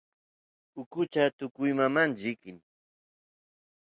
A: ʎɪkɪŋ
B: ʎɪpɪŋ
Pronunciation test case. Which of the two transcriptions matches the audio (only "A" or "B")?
A